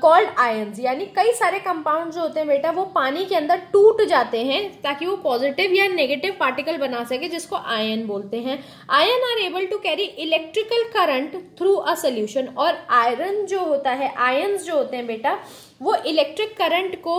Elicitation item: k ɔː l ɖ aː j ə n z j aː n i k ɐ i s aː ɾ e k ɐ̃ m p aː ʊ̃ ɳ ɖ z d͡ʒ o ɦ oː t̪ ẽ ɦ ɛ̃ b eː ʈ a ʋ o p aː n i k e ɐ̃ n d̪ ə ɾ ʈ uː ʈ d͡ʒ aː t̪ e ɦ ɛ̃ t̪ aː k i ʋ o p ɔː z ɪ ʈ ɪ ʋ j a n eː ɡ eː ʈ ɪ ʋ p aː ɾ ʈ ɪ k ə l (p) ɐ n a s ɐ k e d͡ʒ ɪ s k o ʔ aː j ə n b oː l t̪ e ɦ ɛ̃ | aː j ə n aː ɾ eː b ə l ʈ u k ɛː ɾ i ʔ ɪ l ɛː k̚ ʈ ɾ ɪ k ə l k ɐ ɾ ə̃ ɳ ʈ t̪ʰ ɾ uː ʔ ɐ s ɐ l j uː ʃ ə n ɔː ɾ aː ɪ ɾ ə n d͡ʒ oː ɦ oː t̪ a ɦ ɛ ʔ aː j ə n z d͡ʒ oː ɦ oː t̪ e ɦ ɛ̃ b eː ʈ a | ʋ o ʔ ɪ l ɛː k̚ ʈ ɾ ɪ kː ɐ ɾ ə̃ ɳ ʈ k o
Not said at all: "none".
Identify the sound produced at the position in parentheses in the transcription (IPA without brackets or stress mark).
b